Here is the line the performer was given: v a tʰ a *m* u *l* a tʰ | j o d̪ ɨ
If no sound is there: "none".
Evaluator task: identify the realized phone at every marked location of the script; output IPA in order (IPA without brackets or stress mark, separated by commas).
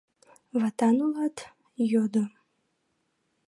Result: n, l